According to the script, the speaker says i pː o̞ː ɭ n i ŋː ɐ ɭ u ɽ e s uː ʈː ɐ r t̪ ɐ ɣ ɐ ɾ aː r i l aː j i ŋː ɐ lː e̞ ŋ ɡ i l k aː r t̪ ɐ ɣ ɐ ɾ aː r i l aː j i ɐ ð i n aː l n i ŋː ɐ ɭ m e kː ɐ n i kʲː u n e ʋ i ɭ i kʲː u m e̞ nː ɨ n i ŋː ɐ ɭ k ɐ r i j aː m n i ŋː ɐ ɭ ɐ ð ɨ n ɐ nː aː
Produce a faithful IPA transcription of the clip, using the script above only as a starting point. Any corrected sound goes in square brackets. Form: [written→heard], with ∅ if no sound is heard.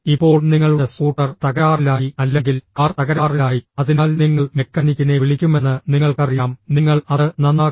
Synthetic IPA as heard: i pː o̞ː ɭ n i ŋː ɐ ɭ u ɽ e s uː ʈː ɐ r t̪ ɐ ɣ ɐ ɾ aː r i l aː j i [ŋː→∅] ɐ lː e̞ ŋ ɡ i l k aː r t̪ ɐ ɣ ɐ ɾ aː r i l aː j i ɐ ð i n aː l n i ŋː ɐ ɭ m e kː ɐ n i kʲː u n e ʋ i ɭ i kʲː u m e̞ nː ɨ n i ŋː ɐ ɭ k ɐ r i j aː m n i ŋː ɐ ɭ ɐ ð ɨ n ɐ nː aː